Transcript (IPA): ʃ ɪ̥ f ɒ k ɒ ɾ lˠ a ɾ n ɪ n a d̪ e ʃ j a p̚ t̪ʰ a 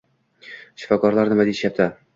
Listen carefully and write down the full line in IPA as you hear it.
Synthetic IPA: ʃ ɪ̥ f ɒ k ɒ ɾ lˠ a ɾ n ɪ m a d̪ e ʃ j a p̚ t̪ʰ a